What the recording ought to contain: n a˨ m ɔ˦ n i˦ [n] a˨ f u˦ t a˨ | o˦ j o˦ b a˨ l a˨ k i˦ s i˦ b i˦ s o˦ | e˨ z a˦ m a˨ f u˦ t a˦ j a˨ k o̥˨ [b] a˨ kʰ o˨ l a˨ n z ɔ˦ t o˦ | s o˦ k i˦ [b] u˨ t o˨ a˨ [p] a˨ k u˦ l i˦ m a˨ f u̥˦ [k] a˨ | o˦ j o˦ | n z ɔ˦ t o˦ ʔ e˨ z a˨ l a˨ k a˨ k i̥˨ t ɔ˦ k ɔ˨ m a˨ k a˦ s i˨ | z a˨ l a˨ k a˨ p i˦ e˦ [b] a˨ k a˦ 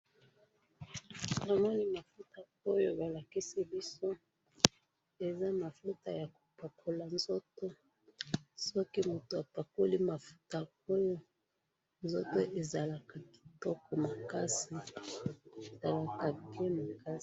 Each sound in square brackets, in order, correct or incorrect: incorrect, incorrect, incorrect, correct, incorrect, incorrect

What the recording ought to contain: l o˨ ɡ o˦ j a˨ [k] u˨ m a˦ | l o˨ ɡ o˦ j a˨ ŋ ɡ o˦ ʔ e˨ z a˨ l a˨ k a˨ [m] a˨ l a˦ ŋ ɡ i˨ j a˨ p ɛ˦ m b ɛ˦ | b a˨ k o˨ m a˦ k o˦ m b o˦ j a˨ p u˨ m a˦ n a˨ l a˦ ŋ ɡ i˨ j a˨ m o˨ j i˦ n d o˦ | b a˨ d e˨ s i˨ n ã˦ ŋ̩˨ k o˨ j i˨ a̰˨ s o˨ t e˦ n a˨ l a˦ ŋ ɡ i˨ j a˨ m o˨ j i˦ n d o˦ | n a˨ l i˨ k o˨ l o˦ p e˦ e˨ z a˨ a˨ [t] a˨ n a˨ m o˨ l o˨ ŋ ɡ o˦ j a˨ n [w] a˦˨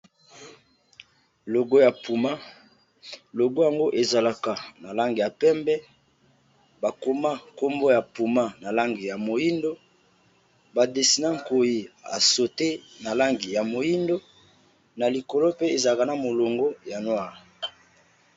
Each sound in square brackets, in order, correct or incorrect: incorrect, incorrect, incorrect, correct

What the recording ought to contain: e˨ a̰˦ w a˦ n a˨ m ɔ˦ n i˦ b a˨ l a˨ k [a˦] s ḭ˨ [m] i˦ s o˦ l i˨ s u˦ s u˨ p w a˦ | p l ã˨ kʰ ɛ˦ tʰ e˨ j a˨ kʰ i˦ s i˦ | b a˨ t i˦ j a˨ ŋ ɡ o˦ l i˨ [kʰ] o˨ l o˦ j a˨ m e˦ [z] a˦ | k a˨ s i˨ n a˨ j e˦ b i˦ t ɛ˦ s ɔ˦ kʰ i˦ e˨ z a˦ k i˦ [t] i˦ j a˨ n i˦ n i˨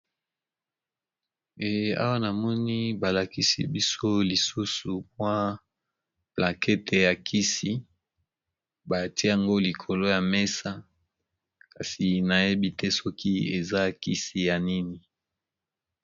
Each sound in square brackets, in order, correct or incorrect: incorrect, incorrect, correct, incorrect, incorrect

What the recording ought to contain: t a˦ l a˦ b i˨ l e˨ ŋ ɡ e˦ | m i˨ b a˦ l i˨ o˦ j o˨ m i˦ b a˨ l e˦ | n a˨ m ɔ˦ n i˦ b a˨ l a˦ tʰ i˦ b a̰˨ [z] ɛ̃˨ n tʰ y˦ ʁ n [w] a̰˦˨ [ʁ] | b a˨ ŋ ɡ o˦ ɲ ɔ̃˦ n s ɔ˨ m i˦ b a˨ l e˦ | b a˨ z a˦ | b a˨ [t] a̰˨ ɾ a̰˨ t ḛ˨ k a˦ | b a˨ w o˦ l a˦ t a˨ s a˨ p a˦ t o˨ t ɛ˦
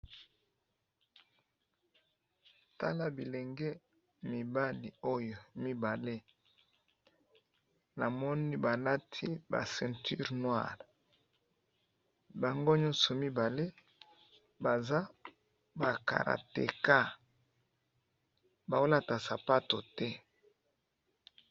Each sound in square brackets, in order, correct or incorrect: incorrect, correct, correct, incorrect

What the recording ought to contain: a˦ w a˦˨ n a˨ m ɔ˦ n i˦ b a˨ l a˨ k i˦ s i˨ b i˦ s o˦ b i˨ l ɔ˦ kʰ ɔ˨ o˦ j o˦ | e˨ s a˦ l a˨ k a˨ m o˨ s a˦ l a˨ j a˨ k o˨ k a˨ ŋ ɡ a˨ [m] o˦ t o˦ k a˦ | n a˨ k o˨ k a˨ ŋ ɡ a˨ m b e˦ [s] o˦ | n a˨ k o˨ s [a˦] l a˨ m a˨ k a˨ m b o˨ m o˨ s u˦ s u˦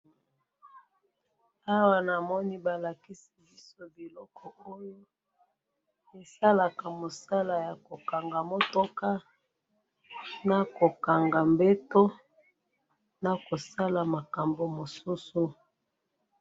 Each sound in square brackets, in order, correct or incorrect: correct, incorrect, correct

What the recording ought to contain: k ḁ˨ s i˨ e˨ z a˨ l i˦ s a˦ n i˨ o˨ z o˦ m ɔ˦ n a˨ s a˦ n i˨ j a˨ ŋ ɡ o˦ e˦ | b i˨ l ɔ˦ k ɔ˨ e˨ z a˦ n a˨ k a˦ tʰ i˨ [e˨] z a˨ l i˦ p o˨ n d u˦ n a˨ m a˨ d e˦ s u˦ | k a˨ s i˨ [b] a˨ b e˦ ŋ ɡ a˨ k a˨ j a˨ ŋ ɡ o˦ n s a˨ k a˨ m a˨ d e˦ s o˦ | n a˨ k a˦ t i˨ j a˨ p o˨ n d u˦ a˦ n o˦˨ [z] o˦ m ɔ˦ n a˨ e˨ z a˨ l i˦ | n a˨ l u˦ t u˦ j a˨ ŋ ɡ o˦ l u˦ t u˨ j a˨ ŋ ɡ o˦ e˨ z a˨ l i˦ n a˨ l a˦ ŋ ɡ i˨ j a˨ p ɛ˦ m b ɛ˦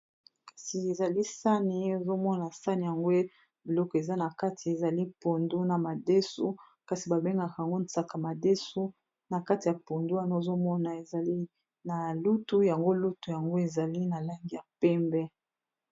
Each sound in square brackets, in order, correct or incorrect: correct, correct, correct

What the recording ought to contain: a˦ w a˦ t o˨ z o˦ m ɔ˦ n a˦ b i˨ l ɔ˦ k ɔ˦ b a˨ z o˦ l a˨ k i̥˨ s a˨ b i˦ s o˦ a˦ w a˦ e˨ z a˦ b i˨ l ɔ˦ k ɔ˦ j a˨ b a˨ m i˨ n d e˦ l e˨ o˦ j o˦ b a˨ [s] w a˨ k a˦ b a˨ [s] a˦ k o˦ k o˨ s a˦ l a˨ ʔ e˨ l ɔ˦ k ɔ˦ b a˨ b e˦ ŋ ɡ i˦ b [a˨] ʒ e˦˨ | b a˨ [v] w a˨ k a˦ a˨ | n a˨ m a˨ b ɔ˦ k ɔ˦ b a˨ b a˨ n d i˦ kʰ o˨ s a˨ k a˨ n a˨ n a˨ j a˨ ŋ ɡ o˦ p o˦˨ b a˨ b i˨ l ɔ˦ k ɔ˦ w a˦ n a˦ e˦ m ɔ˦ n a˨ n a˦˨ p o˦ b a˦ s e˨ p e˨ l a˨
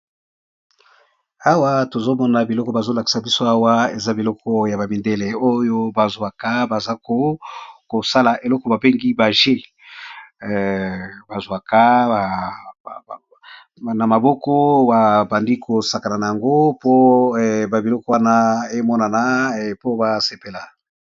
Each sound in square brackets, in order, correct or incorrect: incorrect, incorrect, correct, incorrect

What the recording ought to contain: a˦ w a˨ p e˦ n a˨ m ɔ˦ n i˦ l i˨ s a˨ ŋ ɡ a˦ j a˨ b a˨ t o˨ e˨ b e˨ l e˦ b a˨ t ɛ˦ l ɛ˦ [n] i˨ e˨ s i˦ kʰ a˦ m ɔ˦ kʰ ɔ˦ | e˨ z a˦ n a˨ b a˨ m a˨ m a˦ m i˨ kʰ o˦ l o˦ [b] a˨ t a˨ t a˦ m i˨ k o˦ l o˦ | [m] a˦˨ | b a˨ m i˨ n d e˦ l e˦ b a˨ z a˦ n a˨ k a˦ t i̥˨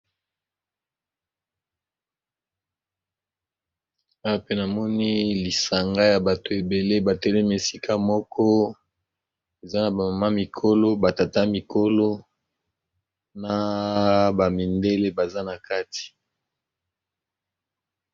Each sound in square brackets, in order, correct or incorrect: incorrect, correct, incorrect

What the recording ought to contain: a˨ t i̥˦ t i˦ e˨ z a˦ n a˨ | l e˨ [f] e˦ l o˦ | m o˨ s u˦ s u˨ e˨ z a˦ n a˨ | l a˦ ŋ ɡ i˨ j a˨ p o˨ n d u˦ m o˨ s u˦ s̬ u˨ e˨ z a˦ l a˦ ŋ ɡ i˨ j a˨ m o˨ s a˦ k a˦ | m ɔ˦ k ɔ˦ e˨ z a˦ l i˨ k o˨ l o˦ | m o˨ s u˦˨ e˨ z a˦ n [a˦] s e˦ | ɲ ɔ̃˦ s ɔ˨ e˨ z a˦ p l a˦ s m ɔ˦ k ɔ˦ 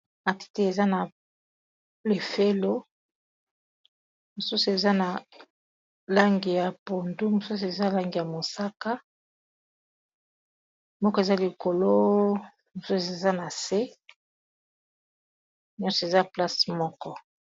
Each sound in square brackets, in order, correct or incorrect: correct, incorrect

